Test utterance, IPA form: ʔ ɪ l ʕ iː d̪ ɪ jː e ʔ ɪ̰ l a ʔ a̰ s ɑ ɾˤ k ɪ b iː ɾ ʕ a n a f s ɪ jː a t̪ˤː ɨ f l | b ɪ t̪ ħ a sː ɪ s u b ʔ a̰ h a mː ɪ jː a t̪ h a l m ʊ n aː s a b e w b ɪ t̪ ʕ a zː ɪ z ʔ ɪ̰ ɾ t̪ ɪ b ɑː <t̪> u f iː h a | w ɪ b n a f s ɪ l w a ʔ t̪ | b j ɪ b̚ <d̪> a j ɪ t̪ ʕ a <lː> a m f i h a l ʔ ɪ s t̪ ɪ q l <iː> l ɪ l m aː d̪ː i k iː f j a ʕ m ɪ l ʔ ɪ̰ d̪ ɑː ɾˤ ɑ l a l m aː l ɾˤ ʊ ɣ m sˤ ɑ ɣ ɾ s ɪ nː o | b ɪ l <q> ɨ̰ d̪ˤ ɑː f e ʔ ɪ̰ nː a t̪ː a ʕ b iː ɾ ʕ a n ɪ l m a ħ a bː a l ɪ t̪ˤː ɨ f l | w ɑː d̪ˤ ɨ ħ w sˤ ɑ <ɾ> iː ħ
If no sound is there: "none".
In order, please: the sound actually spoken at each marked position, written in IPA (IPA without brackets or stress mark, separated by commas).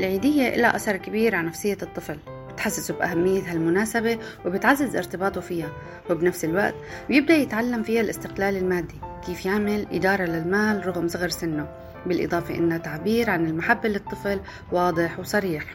t̪, d̪, lː, aː, ʔ, ɾ